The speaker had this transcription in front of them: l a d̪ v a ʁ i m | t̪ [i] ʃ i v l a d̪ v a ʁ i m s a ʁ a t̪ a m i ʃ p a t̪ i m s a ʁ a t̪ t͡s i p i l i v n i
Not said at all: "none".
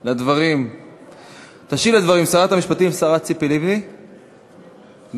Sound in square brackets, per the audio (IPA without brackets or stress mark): a